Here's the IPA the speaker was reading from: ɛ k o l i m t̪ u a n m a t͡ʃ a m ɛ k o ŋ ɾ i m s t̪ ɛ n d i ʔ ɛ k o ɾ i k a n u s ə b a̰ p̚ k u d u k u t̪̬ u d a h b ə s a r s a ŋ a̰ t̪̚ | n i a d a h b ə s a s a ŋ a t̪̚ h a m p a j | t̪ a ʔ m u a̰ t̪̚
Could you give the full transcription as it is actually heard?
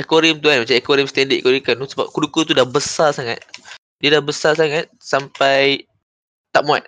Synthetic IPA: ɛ k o ɾ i m t̪ u a n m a t͡ʃ a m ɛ k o ɾ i m s t̪ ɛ n d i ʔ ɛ k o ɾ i k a n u s ə b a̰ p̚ k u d u k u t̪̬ u d a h b ə s a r s a ŋ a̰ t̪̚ | d i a d a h b ə s a s a ŋ a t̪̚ s a m p a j | t̪ a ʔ m u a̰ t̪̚